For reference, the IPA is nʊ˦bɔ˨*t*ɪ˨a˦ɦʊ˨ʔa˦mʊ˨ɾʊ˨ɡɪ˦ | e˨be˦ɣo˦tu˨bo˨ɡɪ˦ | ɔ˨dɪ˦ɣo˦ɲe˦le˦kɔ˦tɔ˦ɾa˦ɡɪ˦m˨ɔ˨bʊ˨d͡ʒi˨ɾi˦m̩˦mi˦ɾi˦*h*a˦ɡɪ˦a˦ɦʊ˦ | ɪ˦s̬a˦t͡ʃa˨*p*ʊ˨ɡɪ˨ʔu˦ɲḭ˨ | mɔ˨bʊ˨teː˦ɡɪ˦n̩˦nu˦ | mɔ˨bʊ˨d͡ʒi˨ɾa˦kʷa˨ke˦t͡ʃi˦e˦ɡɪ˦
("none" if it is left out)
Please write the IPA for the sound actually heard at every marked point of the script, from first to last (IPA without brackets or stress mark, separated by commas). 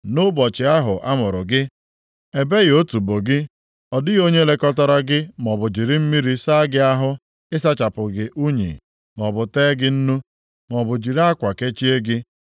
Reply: t͡ʃ, s, p